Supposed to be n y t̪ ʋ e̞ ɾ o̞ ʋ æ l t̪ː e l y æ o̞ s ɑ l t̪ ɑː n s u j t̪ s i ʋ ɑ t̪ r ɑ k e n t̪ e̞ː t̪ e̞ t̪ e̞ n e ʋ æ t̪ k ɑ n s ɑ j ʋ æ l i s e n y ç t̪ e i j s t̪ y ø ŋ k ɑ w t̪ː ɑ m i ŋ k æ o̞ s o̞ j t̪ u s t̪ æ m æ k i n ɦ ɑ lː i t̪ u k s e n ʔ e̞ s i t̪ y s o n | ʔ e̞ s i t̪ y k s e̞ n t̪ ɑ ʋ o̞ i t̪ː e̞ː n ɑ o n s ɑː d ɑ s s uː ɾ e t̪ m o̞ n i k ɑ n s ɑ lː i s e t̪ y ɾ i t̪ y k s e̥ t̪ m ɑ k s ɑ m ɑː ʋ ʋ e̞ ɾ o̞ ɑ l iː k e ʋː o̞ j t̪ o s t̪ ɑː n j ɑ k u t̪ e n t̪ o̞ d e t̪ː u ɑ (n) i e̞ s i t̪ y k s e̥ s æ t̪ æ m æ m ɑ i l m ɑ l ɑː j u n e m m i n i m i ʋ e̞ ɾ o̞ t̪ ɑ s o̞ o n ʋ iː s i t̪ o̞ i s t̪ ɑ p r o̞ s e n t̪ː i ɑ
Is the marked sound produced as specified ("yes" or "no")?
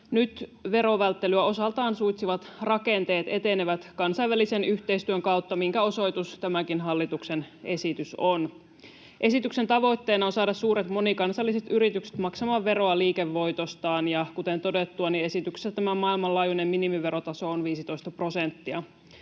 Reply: yes